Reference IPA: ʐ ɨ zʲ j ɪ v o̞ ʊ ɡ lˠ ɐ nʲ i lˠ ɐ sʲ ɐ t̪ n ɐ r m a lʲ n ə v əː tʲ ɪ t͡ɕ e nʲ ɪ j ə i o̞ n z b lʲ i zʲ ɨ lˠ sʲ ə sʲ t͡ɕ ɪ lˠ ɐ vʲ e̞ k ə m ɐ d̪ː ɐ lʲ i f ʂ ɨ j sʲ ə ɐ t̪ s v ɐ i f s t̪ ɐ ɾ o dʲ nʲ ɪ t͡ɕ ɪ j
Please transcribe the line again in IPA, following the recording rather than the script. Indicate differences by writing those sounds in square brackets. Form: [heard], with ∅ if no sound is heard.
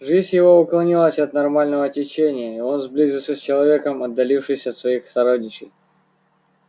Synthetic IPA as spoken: ʐ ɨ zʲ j ɪ v o̞ ʊ [k] lˠ ɐ nʲ i lˠ [ə] sʲ ɐ t̪ n ɐ r m a lʲ n ə v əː tʲ ɪ t͡ɕ e nʲ ɪ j ə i o̞ n z b lʲ i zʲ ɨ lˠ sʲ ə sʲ t͡ɕ ɪ lˠ ɐ vʲ e̞ k ə m ɐ d̪ː ɐ lʲ i f ʂ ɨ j sʲ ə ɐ t̪ s v ɐ i [x] s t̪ ɐ ɾ o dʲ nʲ ɪ t͡ɕ ɪ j